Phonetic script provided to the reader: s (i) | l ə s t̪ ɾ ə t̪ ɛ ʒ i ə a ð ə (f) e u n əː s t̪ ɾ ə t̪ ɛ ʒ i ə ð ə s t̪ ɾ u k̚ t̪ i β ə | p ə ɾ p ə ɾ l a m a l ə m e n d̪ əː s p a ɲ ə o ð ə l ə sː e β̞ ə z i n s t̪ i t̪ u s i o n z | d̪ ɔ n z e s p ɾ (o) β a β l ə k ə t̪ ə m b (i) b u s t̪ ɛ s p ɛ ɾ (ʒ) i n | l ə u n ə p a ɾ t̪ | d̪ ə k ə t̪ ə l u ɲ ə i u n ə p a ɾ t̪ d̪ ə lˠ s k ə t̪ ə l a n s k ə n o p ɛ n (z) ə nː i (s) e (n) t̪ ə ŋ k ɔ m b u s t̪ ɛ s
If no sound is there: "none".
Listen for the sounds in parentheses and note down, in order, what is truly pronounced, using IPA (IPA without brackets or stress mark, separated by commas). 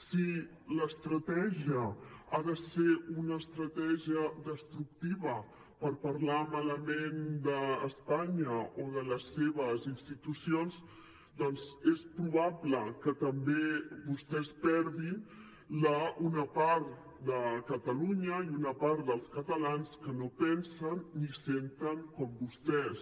i, s, u, e, ð, s, s, n